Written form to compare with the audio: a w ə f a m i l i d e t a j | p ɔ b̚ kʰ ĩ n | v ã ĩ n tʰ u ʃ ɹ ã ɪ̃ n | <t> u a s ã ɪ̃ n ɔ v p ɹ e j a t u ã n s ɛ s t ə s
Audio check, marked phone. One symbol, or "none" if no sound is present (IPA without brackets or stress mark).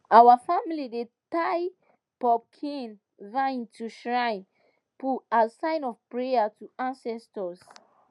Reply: p